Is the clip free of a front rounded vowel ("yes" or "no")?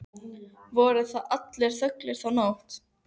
no